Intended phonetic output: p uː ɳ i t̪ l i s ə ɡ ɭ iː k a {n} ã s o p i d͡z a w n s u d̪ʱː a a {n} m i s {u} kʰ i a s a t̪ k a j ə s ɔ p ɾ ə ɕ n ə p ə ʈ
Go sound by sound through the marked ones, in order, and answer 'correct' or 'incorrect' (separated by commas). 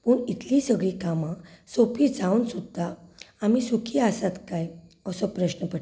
incorrect, incorrect, correct